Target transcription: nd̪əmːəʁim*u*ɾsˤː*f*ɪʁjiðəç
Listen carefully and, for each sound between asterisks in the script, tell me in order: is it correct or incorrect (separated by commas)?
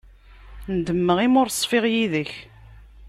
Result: incorrect, correct